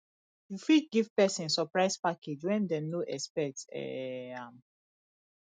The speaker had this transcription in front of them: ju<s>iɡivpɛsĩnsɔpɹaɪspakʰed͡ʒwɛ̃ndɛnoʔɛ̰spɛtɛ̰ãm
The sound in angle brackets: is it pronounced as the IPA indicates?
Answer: no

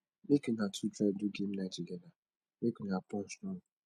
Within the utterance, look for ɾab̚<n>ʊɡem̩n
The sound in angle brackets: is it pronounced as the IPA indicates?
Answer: no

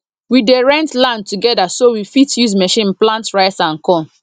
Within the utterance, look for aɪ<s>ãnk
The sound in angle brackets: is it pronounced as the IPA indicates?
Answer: yes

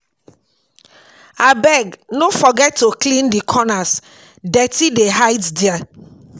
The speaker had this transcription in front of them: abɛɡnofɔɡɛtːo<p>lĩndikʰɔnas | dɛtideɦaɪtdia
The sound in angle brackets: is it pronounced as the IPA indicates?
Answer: no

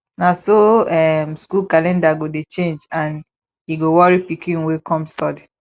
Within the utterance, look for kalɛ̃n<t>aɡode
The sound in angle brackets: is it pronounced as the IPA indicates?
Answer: no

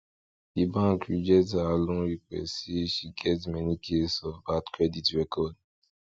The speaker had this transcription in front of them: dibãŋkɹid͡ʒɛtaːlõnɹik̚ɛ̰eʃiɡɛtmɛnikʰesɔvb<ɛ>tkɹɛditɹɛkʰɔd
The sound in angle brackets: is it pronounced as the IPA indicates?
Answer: no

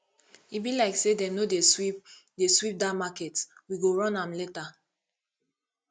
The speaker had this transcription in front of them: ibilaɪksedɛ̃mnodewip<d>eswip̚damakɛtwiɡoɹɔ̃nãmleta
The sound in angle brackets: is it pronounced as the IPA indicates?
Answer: yes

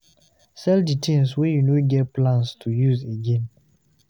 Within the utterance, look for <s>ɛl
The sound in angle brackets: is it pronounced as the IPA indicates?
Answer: yes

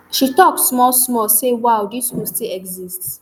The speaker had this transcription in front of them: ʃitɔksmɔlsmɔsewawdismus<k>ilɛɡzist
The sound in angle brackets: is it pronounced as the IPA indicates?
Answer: no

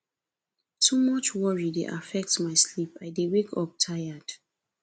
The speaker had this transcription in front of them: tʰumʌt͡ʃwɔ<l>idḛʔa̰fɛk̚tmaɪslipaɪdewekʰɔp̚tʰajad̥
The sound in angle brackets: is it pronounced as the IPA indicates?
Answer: no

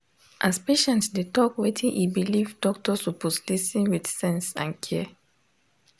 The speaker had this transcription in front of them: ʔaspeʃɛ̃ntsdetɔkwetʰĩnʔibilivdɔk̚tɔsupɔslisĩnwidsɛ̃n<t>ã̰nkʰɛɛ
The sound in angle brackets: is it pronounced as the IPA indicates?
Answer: no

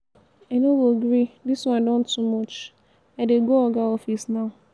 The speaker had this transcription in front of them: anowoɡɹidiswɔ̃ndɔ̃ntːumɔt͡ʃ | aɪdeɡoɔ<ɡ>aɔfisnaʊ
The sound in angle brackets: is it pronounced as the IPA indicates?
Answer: yes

